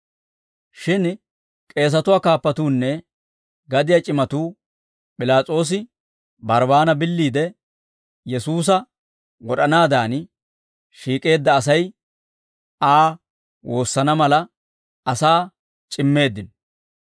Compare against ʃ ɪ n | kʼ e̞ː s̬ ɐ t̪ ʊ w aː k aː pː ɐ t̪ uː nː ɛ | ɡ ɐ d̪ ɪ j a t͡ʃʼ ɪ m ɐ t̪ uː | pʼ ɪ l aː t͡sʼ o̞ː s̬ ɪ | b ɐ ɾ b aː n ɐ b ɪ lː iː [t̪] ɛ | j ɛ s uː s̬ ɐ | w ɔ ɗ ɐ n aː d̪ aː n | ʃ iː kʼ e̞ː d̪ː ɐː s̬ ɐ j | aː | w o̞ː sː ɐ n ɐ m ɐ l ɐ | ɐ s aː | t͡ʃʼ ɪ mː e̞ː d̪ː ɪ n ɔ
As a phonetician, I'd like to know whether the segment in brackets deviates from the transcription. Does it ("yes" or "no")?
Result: yes